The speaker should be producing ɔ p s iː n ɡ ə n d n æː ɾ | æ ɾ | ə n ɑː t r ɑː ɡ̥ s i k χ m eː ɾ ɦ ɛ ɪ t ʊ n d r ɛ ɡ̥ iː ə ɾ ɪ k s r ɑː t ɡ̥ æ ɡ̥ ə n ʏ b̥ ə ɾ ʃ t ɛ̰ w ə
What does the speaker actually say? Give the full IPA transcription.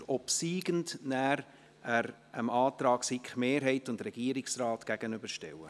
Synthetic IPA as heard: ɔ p s iː ɡ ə n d n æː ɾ | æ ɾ | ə m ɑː t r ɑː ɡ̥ s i k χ m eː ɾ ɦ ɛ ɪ t ʊ n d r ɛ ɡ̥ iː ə ɾ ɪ k s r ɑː t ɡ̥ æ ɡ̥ ə n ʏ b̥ ə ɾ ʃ t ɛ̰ w ə